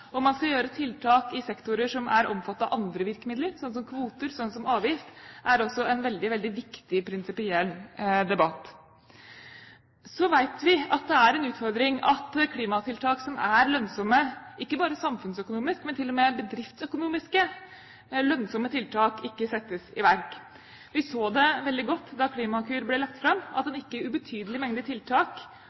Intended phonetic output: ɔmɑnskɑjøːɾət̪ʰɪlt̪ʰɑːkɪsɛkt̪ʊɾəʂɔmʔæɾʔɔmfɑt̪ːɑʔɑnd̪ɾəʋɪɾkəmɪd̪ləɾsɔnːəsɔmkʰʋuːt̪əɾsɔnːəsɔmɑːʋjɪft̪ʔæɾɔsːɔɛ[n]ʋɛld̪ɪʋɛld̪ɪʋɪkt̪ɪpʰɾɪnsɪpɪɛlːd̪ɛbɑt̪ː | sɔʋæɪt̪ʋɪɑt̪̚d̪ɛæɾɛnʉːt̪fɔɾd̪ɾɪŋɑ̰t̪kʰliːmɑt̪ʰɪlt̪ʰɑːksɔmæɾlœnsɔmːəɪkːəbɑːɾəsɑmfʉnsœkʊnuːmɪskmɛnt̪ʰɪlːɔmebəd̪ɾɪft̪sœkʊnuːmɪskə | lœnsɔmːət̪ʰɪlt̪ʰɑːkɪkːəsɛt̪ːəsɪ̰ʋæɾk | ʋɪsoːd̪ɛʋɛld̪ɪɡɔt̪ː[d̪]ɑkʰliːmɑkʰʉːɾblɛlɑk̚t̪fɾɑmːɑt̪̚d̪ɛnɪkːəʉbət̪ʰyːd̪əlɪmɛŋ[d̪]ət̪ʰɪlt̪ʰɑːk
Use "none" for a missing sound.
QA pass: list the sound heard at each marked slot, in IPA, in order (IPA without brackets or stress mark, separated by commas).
n, d̪, d̪